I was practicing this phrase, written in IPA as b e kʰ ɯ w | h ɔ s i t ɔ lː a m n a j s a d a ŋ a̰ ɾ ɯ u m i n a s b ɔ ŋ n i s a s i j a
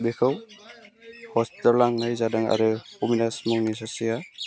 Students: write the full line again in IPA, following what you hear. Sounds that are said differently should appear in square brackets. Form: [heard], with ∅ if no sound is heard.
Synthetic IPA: b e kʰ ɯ w | h ɔ s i t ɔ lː a [ŋ] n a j [z] a d a ŋ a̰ ɾ ɯ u m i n a s [m] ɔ ŋ n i s a s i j a